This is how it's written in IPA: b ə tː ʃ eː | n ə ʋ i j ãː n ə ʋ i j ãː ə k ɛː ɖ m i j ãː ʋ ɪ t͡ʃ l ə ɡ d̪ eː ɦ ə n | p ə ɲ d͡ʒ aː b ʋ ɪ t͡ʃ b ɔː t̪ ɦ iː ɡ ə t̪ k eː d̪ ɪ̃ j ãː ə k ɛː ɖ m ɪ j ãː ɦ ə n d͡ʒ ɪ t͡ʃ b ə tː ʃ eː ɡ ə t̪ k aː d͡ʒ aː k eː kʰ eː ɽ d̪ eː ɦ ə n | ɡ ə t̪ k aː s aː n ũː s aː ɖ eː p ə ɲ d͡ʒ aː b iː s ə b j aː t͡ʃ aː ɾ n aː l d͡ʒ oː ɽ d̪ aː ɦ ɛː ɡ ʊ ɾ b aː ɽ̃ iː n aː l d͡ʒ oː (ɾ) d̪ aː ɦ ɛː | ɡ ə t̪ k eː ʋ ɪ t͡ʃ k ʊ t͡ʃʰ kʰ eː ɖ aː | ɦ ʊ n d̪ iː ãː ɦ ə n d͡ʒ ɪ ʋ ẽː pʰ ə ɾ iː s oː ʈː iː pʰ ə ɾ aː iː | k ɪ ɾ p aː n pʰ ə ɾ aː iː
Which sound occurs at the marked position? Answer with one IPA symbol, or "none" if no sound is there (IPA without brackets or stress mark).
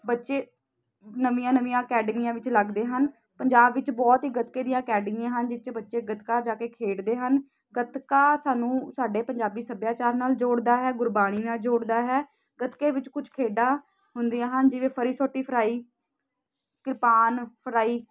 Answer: ɽ